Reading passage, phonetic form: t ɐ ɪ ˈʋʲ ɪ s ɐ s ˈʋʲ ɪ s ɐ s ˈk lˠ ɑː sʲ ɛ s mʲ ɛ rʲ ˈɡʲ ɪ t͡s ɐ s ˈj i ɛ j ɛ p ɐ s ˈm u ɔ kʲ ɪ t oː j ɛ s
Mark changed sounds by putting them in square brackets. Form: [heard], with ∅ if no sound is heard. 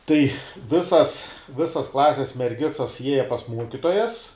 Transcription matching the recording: t ɐ ɪ ˈʋʲ ɪ s ɐ s ˈʋʲ ɪ s ɐ s ˈk lˠ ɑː sʲ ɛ s mʲ ɛ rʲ ˈɡʲ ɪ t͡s ɐ s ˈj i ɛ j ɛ p ɐ s ˈm u ɔ kʲ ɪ t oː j ɛ s